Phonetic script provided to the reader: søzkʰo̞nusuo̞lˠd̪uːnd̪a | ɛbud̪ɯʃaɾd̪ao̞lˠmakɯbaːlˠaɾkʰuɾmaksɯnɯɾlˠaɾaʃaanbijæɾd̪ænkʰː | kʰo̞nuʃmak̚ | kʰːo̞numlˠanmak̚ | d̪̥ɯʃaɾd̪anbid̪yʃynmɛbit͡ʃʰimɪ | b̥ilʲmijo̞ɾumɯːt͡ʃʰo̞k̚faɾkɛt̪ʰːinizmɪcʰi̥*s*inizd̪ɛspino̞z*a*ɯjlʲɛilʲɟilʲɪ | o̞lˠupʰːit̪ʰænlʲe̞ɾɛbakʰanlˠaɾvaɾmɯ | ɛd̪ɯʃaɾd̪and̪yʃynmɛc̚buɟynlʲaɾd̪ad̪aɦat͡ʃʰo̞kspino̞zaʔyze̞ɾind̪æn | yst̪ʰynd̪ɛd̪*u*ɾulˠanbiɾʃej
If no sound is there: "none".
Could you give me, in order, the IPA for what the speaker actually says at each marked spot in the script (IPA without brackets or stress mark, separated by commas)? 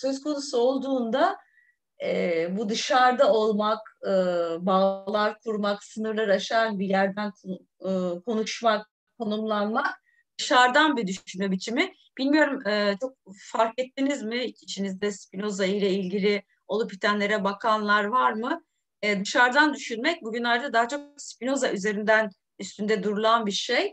ʃ, a, u